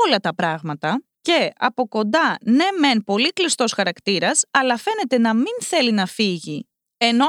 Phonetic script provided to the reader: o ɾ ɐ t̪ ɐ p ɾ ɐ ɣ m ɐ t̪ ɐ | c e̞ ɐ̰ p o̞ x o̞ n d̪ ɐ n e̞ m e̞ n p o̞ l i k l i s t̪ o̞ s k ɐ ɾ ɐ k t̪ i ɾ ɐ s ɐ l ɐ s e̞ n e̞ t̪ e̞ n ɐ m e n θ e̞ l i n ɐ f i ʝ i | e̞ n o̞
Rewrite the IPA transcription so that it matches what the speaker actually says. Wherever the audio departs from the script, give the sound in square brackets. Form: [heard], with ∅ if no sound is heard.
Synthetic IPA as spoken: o [l] ɐ t̪ ɐ p ɾ ɐ ɣ m ɐ t̪ ɐ | c e̞ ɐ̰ p o̞ [k] o̞ n d̪ ɐ n e̞ m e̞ n p o̞ l i k l i s t̪ o̞ s [x] ɐ ɾ ɐ k t̪ i ɾ ɐ s ɐ l ɐ [f] e̞ n e̞ t̪ e̞ n ɐ m [i] n θ e̞ l i n ɐ f i ʝ i | e̞ n o̞